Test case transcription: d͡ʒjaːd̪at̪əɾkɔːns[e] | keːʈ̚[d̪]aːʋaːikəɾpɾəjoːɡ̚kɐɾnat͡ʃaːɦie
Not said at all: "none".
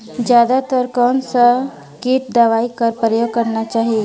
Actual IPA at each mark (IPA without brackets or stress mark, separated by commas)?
a, d̪